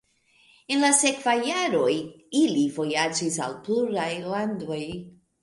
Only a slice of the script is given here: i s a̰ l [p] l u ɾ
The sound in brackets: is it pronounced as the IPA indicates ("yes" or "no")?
yes